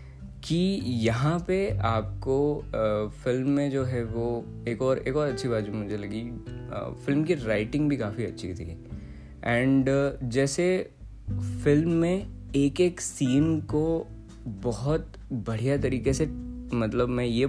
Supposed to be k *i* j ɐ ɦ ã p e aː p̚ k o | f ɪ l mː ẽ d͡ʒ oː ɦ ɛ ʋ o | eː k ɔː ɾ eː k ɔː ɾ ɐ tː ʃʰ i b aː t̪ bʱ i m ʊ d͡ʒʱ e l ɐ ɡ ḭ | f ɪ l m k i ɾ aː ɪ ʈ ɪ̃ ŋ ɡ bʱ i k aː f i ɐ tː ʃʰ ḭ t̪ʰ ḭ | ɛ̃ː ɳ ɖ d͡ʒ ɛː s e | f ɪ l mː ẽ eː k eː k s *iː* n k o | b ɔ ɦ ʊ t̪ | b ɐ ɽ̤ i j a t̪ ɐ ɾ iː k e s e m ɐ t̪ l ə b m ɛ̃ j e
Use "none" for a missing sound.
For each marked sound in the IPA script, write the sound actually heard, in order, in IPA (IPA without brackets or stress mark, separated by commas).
i, iː